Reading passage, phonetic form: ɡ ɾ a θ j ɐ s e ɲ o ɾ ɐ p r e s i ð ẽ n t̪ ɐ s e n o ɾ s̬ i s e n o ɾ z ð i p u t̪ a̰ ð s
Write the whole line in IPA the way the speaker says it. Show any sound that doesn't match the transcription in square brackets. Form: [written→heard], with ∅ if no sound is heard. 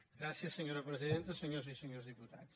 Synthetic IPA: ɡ ɾ a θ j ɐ s e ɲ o ɾ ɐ p [r→ɾ] e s i ð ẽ n t̪ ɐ s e [n→ɲ] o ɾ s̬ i s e [n→ɲ] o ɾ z ð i p u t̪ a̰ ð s